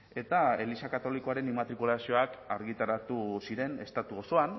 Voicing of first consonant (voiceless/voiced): voiceless